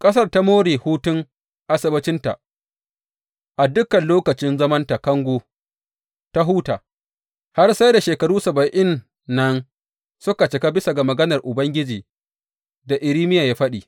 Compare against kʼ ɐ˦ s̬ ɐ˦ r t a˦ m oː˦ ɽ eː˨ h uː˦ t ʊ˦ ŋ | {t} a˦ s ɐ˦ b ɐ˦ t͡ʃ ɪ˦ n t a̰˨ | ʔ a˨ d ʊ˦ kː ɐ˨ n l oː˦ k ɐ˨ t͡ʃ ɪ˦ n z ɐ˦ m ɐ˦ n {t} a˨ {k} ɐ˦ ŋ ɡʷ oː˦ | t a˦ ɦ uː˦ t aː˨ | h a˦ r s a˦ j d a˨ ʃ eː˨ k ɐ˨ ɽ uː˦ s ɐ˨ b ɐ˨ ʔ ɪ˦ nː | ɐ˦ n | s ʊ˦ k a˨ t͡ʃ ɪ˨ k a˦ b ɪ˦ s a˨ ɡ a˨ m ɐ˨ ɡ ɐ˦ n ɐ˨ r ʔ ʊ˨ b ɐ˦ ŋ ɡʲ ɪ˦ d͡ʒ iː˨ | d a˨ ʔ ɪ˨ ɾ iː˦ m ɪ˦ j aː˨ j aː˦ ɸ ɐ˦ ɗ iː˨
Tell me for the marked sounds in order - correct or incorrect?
incorrect: ʔ, correct, correct

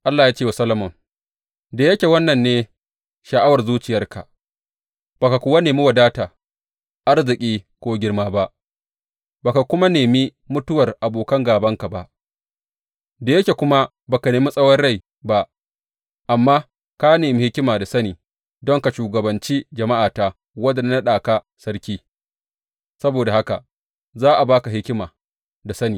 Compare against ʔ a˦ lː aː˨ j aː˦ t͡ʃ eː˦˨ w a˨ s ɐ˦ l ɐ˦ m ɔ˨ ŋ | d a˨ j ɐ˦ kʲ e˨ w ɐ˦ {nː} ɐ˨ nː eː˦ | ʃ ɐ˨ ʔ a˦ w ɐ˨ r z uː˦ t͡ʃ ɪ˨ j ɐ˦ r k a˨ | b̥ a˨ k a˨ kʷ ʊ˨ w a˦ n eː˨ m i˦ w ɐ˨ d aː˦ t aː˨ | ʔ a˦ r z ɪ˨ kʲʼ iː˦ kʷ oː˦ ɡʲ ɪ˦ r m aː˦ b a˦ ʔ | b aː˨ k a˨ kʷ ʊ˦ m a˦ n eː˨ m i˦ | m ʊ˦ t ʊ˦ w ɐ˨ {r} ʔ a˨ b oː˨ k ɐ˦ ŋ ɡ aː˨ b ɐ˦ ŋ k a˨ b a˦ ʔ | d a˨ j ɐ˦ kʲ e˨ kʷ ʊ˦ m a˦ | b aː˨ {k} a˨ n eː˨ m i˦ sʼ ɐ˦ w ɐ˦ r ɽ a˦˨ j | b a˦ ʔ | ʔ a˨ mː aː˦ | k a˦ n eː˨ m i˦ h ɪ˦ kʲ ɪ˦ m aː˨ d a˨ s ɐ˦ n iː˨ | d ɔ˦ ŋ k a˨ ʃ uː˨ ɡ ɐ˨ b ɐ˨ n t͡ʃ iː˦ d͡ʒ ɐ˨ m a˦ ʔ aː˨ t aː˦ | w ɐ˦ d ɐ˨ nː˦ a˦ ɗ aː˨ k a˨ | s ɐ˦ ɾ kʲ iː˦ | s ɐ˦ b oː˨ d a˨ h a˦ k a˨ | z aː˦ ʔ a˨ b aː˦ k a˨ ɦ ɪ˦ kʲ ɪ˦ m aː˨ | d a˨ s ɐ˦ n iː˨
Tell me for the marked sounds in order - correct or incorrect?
correct, correct, correct

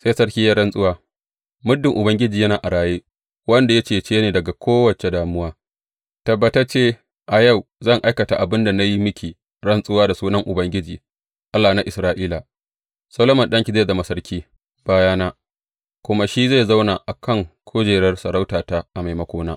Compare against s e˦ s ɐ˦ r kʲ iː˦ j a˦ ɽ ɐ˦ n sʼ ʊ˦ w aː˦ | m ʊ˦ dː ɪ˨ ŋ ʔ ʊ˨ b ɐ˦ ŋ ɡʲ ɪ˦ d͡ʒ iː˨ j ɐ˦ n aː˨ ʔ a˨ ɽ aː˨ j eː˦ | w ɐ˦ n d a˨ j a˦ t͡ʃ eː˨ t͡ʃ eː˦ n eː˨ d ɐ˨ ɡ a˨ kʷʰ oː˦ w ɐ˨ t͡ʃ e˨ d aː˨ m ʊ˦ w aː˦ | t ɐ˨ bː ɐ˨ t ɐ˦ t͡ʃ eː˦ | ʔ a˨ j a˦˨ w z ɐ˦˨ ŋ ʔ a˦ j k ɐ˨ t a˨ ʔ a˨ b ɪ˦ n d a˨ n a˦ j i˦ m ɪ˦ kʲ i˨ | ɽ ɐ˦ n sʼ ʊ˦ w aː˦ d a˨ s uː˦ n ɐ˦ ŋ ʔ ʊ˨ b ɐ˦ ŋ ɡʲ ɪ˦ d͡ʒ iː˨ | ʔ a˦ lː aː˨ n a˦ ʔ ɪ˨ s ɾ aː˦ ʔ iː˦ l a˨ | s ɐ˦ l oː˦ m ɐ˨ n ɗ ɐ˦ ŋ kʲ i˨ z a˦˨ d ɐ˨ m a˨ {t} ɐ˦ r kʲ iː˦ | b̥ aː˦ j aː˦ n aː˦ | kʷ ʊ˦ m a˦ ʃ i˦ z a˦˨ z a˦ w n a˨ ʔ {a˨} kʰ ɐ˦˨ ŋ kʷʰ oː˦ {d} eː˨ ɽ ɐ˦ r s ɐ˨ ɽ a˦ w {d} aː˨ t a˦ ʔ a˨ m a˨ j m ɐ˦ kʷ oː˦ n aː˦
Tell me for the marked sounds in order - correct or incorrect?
incorrect: s, correct, incorrect: d͡ʒ, incorrect: t

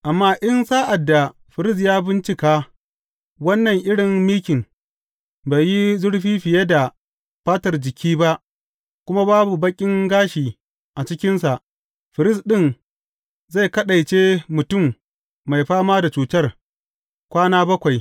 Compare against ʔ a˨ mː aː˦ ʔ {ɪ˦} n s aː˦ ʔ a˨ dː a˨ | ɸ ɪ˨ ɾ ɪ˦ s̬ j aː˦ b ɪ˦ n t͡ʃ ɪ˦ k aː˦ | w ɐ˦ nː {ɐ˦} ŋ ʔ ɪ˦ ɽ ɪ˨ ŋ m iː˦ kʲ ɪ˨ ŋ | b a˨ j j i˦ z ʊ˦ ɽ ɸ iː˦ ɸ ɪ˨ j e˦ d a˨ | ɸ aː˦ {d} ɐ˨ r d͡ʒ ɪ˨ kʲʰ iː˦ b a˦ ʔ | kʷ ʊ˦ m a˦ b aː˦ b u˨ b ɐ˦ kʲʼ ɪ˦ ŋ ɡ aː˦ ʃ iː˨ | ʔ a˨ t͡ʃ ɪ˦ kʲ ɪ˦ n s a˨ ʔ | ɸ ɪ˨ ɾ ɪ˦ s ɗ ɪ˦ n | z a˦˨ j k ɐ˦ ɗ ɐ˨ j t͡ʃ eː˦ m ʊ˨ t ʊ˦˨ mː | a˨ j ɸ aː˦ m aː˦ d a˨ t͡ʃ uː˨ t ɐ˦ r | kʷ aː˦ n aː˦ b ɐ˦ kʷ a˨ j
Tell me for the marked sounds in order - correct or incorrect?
correct, incorrect: ɐ˨, incorrect: t

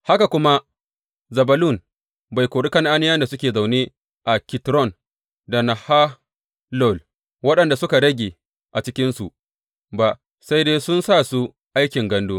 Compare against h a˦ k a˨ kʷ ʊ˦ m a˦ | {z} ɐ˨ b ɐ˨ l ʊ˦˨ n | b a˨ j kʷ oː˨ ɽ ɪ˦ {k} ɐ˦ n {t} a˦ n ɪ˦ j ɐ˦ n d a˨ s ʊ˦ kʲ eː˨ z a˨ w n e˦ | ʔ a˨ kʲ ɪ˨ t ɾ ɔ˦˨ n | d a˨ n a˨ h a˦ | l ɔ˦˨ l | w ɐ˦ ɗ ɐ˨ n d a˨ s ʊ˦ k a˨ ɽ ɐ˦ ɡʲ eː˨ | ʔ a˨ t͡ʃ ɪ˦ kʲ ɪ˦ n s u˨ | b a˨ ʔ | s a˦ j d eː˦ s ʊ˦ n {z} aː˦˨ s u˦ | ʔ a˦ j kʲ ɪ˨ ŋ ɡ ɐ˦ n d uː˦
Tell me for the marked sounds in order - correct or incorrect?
correct, correct, incorrect: ʔ, incorrect: s

